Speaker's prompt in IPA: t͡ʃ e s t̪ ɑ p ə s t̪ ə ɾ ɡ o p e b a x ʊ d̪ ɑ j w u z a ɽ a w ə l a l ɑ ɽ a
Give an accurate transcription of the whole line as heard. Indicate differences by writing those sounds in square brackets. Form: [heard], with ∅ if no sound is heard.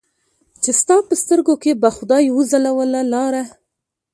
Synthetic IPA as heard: t͡ʃ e s t̪ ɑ p ə s t̪ ə ɾ ɡ o [k] e b a x ʊ d̪ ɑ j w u z a [l] a w ə l a l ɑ [ɾ] a